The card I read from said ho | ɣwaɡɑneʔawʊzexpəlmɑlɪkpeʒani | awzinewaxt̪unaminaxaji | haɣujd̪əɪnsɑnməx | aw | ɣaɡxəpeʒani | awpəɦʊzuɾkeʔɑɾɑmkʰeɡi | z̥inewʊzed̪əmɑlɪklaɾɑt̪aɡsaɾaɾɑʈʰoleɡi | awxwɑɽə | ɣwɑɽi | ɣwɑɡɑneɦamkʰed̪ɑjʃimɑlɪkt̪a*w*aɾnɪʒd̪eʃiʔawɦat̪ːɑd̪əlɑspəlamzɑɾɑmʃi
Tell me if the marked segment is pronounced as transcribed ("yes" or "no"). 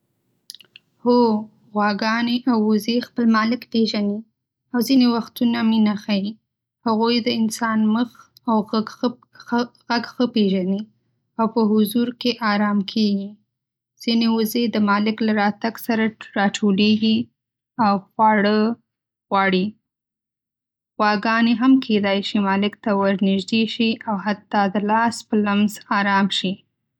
yes